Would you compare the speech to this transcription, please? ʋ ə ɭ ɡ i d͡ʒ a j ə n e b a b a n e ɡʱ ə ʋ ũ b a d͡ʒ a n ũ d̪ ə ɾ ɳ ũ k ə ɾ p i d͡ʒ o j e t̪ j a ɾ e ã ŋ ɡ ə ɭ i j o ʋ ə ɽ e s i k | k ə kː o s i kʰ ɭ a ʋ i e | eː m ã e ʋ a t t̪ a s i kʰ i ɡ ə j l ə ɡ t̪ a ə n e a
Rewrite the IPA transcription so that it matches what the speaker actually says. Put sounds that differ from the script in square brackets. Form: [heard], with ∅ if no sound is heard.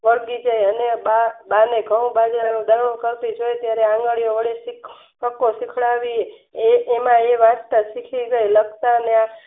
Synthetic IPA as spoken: ʋ ə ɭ ɡ i d͡ʒ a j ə n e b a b a n e ɡʱ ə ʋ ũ b a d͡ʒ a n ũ d̪ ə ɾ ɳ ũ k ə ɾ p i d͡ʒ o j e t̪ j a ɾ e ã ŋ ɡ ə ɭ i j o ʋ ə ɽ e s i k | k ə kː o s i kʰ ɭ a ʋ i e | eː m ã e ʋ a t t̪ a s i kʰ i ɡ ə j l ə ɡ t̪ a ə n e a